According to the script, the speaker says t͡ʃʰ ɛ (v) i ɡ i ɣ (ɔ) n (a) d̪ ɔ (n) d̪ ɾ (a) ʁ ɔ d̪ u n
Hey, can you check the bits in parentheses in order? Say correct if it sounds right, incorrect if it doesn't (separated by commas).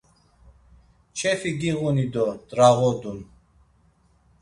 incorrect, incorrect, incorrect, incorrect, correct